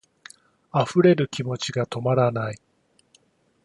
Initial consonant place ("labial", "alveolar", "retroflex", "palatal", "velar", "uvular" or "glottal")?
labial